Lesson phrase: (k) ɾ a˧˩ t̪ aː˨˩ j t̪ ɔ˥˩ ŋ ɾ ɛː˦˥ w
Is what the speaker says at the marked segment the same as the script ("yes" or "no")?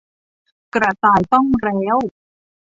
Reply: yes